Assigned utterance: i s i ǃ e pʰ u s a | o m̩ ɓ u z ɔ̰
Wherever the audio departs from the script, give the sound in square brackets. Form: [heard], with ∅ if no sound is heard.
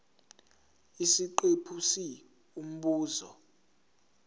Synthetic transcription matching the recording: i s i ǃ e pʰ u s [i] | [u] m̩ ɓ [uː] z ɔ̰